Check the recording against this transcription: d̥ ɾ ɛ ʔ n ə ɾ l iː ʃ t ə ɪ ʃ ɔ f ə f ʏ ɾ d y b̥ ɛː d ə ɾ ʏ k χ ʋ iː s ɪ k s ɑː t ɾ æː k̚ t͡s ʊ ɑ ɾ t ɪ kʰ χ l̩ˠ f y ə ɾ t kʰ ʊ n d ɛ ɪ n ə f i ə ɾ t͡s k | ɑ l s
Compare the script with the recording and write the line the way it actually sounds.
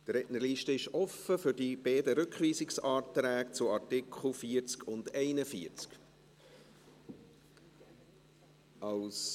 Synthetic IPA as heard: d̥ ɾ ɛ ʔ n ə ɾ l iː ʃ t ə ɪ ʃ ɔ f ə f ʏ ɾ d i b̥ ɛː d ə ɾ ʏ k χ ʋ iː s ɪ k s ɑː t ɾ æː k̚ t͡s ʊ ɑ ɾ t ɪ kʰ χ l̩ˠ f i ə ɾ t͡s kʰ ʊ n d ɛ ɪ n ə f i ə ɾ t͡s k | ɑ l s